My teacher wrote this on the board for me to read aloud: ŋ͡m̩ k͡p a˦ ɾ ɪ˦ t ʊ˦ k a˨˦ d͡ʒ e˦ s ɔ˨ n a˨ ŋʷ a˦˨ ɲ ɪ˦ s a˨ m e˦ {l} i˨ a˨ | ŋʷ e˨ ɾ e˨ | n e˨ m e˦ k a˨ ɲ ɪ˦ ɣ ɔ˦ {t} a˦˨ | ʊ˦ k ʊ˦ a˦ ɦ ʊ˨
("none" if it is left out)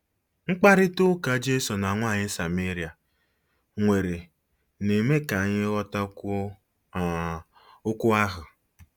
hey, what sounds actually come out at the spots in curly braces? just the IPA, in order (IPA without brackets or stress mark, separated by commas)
ɾ, t